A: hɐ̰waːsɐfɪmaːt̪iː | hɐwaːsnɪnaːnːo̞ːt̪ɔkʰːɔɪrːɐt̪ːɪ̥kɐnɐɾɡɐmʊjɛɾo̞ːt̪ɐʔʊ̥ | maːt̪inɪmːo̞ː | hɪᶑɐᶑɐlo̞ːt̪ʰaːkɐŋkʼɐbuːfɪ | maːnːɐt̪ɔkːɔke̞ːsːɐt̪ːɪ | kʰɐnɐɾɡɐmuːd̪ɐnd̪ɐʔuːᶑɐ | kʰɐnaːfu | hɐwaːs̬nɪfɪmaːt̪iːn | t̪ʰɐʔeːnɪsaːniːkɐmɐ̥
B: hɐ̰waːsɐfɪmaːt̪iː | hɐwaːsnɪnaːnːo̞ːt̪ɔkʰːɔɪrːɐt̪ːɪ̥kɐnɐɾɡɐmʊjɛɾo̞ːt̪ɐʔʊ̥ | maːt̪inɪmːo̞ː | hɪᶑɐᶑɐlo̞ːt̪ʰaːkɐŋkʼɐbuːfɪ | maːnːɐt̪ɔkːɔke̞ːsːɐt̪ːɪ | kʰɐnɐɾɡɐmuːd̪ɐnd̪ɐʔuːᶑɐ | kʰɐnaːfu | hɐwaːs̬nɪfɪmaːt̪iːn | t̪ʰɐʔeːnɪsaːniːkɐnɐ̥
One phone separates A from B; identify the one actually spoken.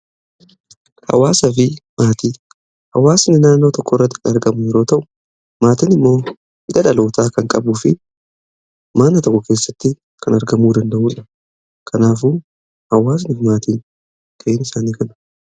B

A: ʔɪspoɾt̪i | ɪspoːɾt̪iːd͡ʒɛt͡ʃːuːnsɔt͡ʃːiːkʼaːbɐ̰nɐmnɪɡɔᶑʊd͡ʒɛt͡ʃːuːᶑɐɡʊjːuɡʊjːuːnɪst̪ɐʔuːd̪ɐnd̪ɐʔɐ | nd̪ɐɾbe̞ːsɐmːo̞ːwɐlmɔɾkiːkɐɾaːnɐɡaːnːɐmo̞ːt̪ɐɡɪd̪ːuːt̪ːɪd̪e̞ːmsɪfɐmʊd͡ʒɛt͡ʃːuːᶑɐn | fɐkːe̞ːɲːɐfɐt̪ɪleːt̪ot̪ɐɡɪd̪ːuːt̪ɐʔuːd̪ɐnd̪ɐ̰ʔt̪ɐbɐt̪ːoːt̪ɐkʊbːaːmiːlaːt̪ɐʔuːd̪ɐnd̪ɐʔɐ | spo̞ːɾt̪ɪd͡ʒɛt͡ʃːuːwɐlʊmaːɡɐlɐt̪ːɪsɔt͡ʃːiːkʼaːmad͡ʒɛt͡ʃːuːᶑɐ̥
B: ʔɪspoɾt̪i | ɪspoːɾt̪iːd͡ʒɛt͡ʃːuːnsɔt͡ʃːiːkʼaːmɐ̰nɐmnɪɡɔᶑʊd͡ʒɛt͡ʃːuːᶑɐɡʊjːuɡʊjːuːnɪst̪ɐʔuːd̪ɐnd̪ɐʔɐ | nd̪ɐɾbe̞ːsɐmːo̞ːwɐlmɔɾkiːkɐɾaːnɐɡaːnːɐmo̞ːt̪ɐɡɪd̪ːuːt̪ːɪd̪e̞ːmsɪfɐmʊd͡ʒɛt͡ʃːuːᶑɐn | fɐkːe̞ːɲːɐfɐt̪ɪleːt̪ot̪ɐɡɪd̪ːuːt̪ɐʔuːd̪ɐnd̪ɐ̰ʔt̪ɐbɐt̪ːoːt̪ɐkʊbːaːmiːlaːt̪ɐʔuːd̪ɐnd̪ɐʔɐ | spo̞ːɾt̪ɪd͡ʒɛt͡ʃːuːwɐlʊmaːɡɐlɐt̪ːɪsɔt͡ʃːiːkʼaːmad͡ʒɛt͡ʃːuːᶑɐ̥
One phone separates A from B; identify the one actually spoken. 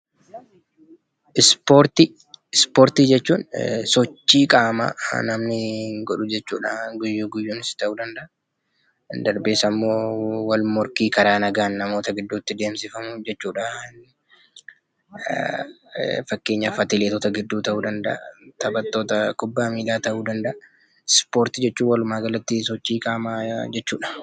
B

